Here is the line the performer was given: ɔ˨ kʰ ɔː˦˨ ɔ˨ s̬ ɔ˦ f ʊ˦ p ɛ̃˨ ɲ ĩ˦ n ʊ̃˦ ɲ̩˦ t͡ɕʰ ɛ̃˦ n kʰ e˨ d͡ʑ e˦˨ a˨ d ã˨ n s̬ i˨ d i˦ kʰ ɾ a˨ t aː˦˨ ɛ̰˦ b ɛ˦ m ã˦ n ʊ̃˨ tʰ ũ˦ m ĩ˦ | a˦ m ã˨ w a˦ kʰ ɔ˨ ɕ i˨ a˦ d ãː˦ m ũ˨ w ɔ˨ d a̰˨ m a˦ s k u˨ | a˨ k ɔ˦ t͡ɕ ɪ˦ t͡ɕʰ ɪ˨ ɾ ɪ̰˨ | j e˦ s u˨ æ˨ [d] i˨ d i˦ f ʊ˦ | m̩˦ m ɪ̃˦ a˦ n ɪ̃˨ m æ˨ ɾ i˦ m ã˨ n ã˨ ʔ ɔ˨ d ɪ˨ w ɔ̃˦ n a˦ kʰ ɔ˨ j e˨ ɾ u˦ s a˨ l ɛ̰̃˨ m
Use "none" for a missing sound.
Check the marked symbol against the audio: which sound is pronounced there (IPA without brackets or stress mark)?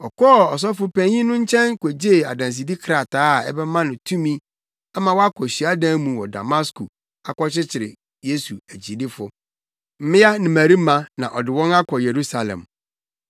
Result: d͡ʑ